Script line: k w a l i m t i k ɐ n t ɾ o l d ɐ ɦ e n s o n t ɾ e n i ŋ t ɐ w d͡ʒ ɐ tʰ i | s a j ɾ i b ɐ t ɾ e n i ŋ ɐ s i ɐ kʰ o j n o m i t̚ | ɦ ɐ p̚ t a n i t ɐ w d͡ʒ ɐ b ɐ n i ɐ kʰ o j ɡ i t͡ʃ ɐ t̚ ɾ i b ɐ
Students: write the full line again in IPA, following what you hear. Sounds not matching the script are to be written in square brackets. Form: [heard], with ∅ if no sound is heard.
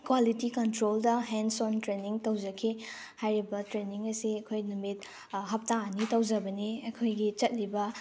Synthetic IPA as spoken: k w a l i [∅] t i k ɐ n t ɾ o l d ɐ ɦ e n s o n t ɾ e n i ŋ t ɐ w d͡ʒ ɐ [kʰ] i | [h] a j ɾ i b ɐ t ɾ e n i ŋ ɐ s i ɐ kʰ o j n [u] m i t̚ | ɦ ɐ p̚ t a n i t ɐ w d͡ʒ ɐ b ɐ n i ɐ kʰ o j ɡ i t͡ʃ ɐ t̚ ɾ i b ɐ